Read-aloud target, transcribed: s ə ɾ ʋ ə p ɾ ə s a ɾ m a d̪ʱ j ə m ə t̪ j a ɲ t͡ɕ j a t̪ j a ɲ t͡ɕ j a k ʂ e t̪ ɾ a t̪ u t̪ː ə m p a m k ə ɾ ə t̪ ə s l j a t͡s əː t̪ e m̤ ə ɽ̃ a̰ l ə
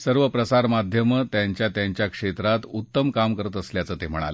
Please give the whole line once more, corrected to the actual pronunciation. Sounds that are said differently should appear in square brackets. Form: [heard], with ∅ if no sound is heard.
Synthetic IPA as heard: s ə ɾ ʋ ə p ɾ ə s a ɾ m a d̪ʱ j ə m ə t̪ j a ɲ t͡ɕ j a t̪ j a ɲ t͡ɕ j a k ʂ e t̪ ɾ a t̪ u t̪ː ə m [k] a m k ə ɾ ə t̪ ə s l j a t͡s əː t̪ e m̤ ə ɽ̃ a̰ l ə